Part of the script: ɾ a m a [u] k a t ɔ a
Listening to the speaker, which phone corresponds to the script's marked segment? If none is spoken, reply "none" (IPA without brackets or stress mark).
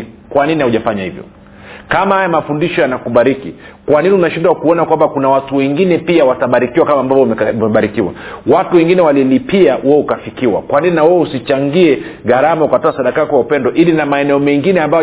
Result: u